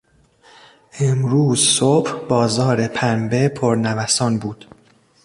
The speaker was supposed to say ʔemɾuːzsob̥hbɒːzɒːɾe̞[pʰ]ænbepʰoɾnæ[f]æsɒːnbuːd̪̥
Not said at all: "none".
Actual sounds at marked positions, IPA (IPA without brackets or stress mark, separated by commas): pʰ, v